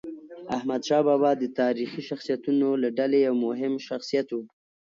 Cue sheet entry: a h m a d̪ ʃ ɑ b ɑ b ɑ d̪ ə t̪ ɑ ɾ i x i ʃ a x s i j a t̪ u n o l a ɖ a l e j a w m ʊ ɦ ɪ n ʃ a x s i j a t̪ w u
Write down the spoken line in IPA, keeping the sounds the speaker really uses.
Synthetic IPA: a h m a d̪ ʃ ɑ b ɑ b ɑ d̪ ə t̪ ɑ ɾ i x i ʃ a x s i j a t̪ u n o l a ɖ a l e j a w m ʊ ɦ ɪ m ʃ a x s i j a t̪ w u